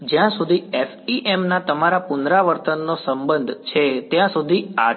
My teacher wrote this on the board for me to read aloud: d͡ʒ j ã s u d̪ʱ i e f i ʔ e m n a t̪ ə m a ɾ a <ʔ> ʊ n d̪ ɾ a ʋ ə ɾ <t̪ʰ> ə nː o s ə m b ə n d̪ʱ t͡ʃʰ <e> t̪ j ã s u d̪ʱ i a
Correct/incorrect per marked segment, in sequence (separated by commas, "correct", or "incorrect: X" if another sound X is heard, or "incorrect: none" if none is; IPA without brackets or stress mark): incorrect: p, incorrect: t̪, correct